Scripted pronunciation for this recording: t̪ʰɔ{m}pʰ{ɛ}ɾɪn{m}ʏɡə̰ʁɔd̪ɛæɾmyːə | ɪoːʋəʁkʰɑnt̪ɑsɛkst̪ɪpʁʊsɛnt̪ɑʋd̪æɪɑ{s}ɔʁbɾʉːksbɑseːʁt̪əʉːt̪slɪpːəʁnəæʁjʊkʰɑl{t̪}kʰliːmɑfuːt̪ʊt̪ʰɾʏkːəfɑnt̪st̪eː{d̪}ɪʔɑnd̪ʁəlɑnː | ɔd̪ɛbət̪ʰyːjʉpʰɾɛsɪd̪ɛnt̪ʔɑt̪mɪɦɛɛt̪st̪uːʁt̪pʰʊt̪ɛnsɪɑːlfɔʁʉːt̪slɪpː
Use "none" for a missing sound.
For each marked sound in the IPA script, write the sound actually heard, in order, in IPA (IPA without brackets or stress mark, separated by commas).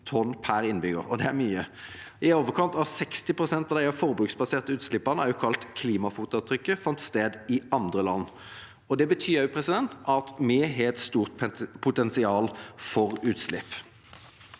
n, æ, b, f, t̪, d̪